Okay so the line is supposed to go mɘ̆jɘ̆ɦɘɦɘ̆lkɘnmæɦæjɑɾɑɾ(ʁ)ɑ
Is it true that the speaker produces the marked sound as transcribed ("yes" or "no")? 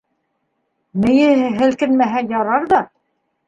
no